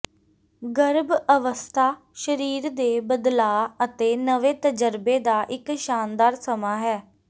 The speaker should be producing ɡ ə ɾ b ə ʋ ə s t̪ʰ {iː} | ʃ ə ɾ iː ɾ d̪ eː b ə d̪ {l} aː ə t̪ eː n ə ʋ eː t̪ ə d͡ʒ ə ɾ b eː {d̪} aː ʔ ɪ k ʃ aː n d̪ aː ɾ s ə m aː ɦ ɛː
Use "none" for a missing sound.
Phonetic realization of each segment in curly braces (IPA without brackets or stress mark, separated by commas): aː, l, d̪